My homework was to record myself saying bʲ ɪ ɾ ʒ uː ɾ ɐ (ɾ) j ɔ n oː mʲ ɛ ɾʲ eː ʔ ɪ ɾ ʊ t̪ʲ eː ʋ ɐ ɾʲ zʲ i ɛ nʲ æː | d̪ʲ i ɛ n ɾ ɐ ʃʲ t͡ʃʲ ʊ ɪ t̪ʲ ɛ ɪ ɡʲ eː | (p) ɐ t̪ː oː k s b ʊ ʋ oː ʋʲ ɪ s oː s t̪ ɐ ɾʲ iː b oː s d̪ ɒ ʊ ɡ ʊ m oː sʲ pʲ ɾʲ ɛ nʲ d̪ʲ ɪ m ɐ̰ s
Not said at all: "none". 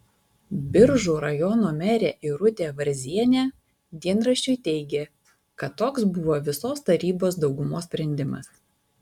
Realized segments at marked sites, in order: none, k

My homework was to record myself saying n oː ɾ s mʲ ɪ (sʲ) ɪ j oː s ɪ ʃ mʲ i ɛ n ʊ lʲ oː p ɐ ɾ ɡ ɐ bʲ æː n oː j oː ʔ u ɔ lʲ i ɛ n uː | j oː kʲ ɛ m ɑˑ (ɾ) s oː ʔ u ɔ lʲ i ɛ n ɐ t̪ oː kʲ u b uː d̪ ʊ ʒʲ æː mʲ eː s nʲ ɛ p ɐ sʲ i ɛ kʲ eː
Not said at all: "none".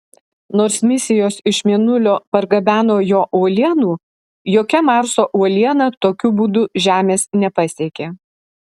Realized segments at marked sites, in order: sʲ, ɾ

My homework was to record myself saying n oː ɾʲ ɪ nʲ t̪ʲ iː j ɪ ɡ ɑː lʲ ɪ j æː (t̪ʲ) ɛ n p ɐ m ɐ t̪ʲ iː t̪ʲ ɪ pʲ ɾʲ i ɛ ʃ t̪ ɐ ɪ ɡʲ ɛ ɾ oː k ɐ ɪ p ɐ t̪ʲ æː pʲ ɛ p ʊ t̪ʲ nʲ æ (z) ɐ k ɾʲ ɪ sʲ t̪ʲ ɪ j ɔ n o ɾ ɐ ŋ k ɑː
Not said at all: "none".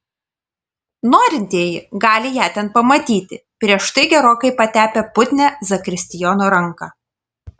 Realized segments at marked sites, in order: t̪ʲ, z

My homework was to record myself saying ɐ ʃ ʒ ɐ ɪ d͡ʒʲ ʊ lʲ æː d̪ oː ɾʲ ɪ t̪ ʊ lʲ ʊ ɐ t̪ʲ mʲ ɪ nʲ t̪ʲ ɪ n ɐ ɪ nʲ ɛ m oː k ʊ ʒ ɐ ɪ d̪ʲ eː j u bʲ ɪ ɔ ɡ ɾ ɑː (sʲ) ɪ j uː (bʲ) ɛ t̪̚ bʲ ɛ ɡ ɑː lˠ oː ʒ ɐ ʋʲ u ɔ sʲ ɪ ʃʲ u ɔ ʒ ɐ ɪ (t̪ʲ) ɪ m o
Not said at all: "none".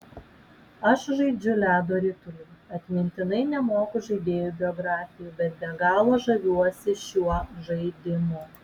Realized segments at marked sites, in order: fʲ, bʲ, d̪ʲ

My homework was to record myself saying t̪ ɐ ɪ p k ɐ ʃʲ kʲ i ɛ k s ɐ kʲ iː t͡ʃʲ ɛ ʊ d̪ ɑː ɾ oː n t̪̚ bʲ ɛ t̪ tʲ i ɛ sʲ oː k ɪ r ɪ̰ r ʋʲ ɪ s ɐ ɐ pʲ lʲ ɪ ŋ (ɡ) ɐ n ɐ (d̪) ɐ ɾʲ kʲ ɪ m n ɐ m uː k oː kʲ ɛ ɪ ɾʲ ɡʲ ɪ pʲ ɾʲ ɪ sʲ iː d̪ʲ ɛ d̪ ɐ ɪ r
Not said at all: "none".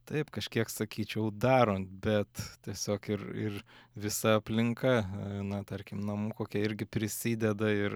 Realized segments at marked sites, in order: k, t̪

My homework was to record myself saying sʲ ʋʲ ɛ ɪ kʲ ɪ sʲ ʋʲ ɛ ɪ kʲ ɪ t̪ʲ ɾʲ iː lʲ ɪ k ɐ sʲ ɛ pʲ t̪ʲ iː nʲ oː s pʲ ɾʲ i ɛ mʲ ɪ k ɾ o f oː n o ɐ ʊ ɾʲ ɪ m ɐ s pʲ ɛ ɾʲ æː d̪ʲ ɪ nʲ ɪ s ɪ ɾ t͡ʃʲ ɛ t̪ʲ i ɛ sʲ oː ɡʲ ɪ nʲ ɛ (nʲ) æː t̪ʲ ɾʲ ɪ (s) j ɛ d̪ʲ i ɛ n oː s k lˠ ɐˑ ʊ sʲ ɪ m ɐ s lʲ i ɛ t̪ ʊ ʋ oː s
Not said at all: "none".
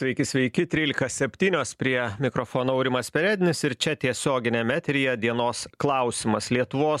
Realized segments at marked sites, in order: mʲ, none

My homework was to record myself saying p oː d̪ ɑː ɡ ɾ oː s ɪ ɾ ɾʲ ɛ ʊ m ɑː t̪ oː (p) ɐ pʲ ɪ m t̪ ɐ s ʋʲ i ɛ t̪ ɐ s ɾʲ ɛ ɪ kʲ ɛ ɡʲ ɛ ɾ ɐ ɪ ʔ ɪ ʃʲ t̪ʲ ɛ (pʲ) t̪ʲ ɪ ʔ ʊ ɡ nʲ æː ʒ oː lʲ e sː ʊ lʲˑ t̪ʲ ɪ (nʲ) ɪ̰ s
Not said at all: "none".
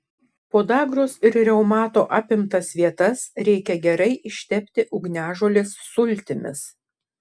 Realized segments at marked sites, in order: ʔ, pʲ, mʲ

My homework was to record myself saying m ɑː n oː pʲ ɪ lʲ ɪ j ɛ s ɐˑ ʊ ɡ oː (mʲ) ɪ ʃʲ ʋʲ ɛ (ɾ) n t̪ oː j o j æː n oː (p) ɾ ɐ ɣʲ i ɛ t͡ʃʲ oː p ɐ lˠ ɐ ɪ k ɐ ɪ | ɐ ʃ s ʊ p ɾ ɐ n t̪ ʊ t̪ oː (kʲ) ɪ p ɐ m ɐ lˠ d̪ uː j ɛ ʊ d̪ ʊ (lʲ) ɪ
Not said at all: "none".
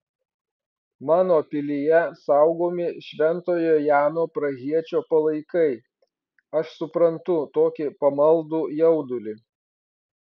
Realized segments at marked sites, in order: mʲ, none, p, kʲ, lʲ

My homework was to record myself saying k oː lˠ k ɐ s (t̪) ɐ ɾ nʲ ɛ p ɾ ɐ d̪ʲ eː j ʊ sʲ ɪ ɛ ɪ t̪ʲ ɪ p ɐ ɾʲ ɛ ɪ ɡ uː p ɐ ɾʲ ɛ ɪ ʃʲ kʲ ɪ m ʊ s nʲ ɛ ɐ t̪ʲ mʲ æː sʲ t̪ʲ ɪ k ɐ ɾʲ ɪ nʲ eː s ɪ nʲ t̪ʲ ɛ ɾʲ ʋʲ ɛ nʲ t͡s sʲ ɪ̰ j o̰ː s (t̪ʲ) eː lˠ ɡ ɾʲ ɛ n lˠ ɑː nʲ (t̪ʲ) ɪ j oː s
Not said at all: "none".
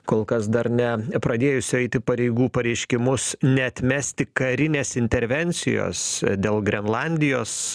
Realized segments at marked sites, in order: d̪, d̪ʲ, d̪ʲ

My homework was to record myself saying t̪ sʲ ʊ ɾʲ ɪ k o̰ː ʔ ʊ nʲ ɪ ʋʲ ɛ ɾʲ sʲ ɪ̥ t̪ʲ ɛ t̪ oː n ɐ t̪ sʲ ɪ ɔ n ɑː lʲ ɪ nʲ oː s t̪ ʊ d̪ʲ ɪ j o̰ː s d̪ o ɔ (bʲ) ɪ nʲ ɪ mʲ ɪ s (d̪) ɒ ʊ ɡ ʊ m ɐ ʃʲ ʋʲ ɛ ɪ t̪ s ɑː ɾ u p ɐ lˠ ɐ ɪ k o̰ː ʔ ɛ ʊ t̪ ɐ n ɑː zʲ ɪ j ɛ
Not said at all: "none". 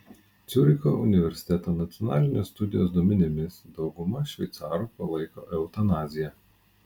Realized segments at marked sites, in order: mʲ, d̪

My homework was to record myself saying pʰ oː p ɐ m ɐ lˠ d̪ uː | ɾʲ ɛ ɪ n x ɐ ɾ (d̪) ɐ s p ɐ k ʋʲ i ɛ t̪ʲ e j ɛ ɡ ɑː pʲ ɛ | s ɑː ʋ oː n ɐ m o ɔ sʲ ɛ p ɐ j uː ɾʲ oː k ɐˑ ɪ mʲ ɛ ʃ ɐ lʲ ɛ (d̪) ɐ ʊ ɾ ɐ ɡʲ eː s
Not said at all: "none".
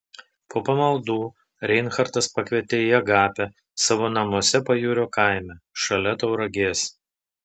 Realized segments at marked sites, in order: t̪, t̪

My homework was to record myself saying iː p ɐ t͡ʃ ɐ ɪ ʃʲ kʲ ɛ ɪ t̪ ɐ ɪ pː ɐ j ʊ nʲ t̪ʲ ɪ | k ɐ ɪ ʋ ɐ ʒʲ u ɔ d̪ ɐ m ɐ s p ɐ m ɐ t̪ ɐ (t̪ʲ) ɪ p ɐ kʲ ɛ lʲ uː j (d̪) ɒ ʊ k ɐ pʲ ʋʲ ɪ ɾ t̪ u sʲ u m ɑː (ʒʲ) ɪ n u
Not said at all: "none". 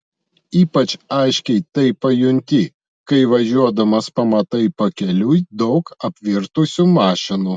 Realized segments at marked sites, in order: none, d̪, ʃʲ

